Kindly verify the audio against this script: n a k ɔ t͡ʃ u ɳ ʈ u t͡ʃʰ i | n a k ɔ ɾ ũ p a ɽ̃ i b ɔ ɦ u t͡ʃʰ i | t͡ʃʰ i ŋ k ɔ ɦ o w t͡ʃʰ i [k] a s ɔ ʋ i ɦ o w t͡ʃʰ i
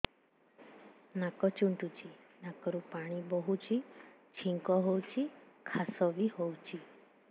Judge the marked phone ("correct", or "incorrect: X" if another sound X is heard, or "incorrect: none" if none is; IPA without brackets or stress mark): incorrect: kʰ